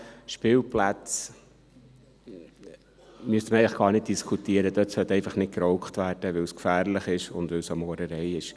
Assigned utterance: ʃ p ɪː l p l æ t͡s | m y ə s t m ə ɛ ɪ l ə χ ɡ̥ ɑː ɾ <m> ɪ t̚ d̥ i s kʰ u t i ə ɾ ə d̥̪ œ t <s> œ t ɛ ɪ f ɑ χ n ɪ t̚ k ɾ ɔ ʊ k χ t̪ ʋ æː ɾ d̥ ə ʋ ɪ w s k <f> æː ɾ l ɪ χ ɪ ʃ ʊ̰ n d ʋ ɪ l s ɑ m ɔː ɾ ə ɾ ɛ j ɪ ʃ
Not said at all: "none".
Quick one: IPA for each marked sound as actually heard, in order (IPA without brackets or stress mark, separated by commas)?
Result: n, s, f